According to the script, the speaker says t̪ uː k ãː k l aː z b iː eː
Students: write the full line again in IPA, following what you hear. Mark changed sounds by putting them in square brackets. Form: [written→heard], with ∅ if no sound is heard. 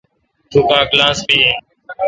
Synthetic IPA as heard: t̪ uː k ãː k l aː [z→s] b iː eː